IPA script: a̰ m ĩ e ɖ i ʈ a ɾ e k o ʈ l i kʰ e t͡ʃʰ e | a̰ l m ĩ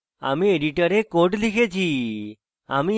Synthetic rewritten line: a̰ m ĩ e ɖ i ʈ ə ɾ e k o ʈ l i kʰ e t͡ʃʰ i | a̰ m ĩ